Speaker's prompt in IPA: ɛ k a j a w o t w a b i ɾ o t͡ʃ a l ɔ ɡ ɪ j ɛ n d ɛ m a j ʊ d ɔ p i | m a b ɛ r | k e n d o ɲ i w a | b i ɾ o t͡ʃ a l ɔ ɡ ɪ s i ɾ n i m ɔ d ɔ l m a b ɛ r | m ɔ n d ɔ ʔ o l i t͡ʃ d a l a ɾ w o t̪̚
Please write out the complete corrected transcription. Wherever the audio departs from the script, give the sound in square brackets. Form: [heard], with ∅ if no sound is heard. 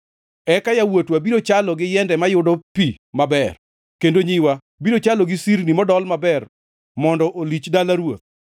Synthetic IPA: ɛ k a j a w o t w a b i ɾ o t͡ʃ a l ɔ ɡ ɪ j ɛ n d ɛ m a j ʊ d ɔ p i | m a b ɛ r | k e n d o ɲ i w a | b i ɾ o t͡ʃ a l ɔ ɡ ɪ s i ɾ n i m ɔ d ɔ l m a b ɛ r | m ɔ n d ɔ ʔ o l i t͡ʃ d a l a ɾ w o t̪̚